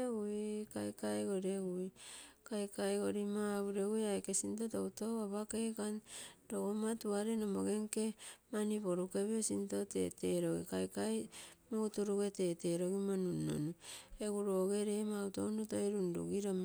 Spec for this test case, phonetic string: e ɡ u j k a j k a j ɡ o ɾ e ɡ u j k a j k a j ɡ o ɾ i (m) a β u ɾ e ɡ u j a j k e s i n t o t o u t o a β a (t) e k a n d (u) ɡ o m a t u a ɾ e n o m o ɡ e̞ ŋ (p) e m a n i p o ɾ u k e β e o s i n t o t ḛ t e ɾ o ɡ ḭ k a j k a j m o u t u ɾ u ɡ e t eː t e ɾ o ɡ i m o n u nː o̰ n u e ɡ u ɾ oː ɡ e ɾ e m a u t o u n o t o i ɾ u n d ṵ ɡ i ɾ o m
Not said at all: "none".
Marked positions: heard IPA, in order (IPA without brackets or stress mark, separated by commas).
m, k, o, k